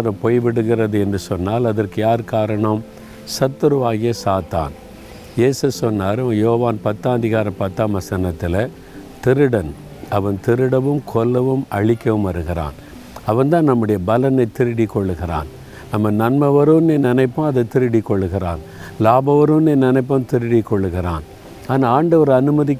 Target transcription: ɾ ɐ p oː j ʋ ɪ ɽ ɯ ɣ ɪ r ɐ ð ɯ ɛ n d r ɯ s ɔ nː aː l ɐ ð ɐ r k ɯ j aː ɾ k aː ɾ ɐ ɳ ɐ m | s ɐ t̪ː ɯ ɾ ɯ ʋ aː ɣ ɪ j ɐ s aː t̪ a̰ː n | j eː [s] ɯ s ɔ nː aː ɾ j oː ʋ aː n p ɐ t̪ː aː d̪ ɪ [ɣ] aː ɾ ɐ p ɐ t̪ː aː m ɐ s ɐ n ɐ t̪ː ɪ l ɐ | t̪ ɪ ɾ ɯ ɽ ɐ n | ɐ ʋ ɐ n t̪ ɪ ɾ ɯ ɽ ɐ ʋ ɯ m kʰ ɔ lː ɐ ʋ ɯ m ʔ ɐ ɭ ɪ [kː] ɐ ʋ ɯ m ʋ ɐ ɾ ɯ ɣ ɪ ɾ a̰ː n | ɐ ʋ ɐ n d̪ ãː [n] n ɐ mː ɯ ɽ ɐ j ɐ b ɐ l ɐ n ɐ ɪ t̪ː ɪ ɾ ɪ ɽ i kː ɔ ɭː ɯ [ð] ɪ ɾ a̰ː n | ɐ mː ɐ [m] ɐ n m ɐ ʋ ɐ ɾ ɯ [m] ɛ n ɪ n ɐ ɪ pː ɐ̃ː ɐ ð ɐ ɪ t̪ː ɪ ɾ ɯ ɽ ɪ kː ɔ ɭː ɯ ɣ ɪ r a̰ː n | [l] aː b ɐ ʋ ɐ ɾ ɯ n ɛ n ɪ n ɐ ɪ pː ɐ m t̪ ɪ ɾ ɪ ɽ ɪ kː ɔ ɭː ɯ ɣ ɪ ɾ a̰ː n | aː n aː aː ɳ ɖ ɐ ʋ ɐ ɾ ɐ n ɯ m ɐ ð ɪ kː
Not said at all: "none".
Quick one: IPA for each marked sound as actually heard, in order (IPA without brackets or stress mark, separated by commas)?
s, ɣ, kː, n, ɣ, n, n, l